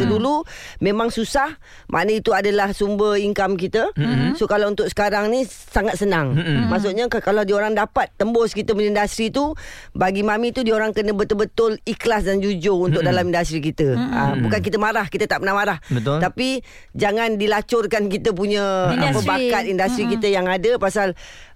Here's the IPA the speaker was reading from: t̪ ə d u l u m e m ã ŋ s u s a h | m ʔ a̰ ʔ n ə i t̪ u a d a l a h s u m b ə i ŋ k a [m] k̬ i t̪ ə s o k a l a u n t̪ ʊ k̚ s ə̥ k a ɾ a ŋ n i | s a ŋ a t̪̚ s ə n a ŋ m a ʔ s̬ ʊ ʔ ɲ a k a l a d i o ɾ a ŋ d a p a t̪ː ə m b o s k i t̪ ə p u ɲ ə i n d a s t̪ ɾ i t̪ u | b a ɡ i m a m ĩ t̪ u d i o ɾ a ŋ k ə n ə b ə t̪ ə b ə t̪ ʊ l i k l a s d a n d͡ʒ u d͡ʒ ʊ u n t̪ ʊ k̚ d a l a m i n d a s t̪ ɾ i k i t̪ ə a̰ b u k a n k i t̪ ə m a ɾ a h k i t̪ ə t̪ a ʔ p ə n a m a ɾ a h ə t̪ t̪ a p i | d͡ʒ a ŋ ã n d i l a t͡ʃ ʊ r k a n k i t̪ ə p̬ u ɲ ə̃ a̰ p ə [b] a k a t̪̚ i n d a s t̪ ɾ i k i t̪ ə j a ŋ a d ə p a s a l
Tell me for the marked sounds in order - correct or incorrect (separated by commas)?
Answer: correct, correct